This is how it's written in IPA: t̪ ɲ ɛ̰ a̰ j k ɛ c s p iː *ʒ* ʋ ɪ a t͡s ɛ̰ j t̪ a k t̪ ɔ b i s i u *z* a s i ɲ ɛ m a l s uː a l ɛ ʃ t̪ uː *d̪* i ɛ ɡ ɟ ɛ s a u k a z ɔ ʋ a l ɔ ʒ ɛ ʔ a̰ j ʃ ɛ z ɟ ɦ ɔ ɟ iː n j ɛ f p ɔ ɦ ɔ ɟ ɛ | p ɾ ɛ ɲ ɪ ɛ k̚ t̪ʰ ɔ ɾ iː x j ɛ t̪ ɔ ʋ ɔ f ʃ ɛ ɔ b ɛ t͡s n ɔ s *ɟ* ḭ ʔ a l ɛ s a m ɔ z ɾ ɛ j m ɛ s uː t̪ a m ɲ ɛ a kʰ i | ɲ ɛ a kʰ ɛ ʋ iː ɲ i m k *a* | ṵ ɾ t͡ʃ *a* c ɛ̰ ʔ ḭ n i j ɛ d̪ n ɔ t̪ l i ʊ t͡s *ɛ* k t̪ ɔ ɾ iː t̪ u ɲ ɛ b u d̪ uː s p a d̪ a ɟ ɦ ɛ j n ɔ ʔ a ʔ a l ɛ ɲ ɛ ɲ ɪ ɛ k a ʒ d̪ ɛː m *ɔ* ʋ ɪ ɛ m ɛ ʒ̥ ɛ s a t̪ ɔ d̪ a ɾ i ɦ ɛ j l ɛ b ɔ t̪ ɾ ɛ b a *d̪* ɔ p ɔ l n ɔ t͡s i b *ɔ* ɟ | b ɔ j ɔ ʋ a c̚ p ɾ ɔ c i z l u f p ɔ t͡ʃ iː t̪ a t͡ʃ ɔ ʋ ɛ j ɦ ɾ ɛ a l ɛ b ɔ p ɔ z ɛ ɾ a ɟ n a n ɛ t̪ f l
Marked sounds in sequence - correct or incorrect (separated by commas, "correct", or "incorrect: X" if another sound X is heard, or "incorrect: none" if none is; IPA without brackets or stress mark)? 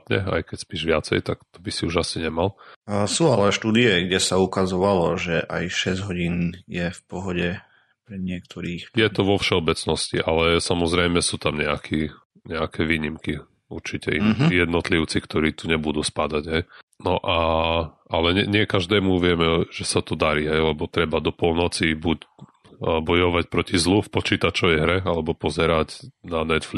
correct, incorrect: ʒ, correct, incorrect: c, incorrect: i, incorrect: i, incorrect: i, incorrect: u, correct, incorrect: u